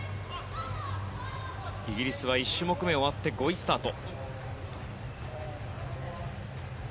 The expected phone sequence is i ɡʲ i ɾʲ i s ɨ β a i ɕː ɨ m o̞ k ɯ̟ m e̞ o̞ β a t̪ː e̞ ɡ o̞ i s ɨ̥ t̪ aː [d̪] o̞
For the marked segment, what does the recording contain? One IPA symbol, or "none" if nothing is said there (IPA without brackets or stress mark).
t̪